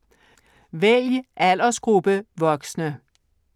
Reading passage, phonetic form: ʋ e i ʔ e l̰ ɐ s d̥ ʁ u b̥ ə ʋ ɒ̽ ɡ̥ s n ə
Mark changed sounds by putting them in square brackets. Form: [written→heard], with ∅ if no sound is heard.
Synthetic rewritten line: ʋ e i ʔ [e→æ] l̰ ɐ s [d̥→ɡ̥] ʁ u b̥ ə ʋ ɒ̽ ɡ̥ s n ə